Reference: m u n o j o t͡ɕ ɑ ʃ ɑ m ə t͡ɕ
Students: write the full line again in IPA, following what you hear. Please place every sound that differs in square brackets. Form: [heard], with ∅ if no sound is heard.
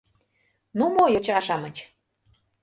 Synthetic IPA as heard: [n] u [m] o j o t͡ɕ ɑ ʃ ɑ m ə t͡ɕ

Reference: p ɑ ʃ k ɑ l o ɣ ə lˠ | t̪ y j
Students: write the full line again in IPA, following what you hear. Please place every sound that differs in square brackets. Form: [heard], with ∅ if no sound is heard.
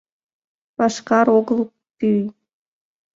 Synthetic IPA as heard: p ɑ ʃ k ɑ [ɾ] o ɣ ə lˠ | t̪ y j

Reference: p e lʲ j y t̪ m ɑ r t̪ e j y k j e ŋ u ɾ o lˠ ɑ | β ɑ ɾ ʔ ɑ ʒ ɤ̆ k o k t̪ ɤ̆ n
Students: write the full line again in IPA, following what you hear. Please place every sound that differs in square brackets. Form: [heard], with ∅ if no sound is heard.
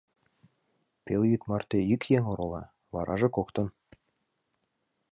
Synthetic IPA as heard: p e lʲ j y t̪ m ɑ r t̪ e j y k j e ŋ [o] ɾ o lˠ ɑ | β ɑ ɾ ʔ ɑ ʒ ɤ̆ k o k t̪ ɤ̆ n

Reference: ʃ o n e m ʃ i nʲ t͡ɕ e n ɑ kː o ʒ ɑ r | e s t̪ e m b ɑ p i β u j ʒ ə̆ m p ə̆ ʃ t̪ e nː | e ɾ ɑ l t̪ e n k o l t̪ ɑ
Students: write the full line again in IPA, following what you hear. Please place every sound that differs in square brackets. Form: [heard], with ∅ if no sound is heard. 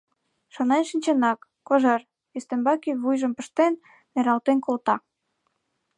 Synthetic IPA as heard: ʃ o n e [n] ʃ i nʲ t͡ɕ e n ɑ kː o ʒ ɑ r | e s t̪ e m b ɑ [k] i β u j ʒ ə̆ m p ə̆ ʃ t̪ e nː | e ɾ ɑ l t̪ e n k o l t̪ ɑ

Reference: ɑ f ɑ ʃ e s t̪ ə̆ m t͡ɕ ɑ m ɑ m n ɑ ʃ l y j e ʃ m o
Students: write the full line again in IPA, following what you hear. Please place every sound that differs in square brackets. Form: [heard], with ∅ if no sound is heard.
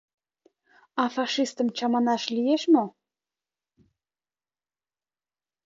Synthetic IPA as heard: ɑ f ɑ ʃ [i] s t̪ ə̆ m t͡ɕ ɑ m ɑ [∅] n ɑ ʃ l [i] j e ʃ m o

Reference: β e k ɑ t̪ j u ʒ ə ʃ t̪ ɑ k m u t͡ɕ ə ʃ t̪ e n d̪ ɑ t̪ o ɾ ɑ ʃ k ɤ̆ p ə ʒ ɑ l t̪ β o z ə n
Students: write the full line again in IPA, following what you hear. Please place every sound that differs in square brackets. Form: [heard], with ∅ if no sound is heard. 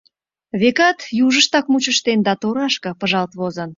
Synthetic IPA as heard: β e k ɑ t̪ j u ʒ ə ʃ t̪ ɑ k m u t͡ɕ ə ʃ t̪ e n d̪ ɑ t̪ o ɾ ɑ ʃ k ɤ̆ p ə ʒ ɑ l t̪ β o z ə n

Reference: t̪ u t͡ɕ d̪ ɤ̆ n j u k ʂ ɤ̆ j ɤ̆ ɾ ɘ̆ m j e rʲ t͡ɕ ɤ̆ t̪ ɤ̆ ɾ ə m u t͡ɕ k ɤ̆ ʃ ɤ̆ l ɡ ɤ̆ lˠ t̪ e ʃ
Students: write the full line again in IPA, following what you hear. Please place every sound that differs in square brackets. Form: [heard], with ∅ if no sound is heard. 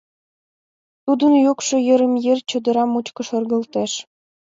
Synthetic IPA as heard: t̪ u [∅] d̪ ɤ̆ n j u k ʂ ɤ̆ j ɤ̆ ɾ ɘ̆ m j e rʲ t͡ɕ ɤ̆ [d̪] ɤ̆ ɾ [ɑ] m u t͡ɕ k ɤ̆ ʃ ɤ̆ [r] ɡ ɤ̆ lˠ t̪ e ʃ

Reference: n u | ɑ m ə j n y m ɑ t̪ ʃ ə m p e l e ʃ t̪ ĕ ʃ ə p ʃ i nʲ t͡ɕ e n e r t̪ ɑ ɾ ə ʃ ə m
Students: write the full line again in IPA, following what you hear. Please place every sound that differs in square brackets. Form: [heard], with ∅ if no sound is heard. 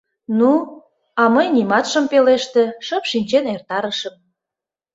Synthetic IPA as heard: n u | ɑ m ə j n [i] m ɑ t̪ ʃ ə m p e l e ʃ t̪ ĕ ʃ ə p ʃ i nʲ t͡ɕ e n e r t̪ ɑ ɾ ə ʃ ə m

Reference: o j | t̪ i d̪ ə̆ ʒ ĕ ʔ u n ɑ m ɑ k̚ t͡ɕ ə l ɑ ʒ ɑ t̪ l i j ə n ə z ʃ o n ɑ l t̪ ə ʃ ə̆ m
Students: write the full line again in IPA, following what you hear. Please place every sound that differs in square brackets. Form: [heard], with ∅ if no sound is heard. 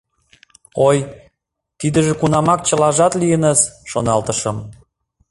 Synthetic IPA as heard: o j | t̪ i d̪ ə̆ ʒ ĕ [k] u n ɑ m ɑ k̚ t͡ɕ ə l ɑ ʒ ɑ t̪ l i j ə n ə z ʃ o n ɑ l t̪ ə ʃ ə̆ m

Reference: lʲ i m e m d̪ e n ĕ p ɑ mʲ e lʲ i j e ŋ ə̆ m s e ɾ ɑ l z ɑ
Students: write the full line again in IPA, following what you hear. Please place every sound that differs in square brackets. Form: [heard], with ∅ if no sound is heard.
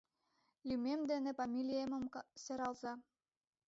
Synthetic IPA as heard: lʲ [y] m e m d̪ e n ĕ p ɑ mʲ [i] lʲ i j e [m] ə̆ m s e ɾ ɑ l z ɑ

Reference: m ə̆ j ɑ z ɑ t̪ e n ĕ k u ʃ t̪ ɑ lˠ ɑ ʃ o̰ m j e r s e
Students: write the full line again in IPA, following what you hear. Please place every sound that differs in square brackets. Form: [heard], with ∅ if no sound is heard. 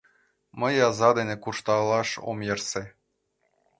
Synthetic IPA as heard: m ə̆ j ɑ z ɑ [d̪] e n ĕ k u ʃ t̪ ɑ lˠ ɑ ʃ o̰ m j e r s e

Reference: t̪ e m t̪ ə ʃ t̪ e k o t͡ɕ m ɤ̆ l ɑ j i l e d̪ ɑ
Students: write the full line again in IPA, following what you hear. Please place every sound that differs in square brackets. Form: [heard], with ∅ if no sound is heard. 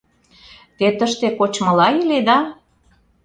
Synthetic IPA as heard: t̪ e [∅] t̪ ə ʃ t̪ e k o t͡ɕ m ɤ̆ l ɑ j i l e d̪ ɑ

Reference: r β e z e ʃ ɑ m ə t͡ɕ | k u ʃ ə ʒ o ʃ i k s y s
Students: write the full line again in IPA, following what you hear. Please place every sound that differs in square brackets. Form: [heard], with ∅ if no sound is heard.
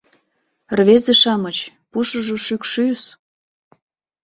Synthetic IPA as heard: r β e z e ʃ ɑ m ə t͡ɕ | [p] u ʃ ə ʒ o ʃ [y] k [ʃ] y s

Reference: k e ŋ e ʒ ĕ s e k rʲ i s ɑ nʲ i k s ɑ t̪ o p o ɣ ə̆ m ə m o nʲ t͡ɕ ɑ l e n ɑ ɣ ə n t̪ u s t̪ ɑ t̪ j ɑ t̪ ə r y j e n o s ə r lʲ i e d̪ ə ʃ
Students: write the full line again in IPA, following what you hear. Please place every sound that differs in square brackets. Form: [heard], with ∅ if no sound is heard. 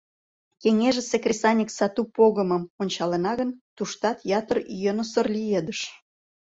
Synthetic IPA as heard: k e ŋ e ʒ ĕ s e k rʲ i s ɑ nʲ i k s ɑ t̪ [u] p o ɣ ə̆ m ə m o nʲ t͡ɕ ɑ l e n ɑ ɣ ə n t̪ u [ʃ] t̪ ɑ t̪ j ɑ t̪ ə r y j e n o s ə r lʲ i e d̪ ə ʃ

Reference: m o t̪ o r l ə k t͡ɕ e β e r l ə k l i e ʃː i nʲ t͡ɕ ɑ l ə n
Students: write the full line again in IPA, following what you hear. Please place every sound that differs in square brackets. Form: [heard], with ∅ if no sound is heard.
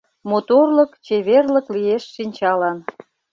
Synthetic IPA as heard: m o t̪ o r l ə k t͡ɕ e β e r l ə k l i e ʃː i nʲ t͡ɕ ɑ l [ɑ] n

